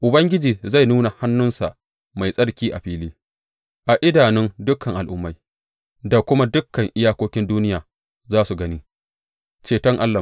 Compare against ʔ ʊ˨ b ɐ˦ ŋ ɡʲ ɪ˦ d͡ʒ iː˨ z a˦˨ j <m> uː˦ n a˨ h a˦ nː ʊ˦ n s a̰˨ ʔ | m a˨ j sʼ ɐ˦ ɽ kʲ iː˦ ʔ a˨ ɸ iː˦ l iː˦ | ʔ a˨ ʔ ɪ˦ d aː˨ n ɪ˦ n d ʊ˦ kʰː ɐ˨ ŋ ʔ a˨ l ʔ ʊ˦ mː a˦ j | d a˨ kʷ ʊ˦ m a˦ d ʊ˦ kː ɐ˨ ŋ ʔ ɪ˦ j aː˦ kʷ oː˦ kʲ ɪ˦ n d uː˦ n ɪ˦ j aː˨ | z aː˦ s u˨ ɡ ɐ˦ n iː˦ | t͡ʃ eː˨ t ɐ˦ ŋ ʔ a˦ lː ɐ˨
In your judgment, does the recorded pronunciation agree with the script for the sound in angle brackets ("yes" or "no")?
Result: no